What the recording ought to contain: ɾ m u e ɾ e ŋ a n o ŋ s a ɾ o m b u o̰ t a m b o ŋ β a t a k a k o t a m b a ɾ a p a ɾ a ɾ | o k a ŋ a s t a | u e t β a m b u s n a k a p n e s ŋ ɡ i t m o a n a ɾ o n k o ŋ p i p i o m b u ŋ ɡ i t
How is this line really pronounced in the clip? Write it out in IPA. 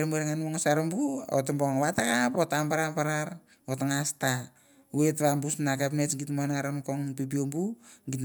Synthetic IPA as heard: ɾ m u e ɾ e ŋ a n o ŋ s a ɾ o m b u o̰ t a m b o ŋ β a t a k a p o t a m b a ɾ a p a ɾ a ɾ | o t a ŋ a s t a | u e t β a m b u s n a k a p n e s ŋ ɡ i t m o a n a ɾ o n k o ŋ p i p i o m b u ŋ ɡ i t